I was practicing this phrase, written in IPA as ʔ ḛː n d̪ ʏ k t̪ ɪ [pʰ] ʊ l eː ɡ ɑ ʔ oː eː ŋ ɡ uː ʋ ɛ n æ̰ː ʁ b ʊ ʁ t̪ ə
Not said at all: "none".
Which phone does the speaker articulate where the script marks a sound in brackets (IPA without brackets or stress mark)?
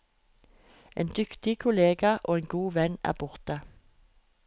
kʰ